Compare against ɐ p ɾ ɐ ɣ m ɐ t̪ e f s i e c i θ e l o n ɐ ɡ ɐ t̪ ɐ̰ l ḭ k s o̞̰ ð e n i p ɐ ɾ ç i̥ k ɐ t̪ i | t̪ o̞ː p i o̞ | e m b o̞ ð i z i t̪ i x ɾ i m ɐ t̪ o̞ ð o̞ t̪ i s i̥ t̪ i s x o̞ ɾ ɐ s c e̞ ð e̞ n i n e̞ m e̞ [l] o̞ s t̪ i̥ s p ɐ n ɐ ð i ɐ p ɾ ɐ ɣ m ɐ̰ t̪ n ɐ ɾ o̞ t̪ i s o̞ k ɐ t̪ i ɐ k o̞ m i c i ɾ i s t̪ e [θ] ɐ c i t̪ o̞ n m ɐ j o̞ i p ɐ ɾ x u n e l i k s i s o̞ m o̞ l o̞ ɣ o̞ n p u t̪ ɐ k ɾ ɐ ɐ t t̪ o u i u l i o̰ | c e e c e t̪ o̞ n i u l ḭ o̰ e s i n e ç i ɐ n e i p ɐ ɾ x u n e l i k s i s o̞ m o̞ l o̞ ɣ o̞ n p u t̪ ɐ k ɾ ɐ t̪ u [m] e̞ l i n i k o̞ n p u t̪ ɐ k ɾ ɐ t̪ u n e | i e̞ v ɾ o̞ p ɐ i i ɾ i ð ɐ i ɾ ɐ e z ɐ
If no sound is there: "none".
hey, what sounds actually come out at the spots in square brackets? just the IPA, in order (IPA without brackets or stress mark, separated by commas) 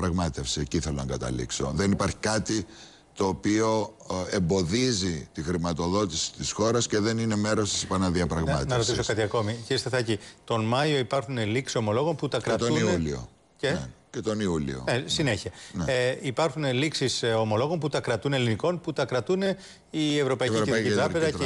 ɾ, θ, n